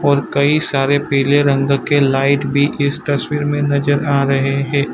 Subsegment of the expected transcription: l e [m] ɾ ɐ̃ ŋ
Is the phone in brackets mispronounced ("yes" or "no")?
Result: yes